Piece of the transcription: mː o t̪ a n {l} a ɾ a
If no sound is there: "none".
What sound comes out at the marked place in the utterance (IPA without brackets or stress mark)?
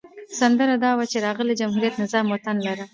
l